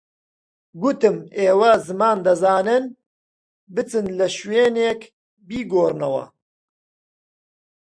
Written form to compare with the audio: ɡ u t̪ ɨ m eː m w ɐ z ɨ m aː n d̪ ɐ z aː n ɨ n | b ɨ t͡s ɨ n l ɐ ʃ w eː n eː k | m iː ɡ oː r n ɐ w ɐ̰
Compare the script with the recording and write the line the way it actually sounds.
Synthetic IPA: ɡ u t̪ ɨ m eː w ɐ z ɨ m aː n d̪ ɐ z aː n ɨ n | b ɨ t͡s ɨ n l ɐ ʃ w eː n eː k | b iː ɡ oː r n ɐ w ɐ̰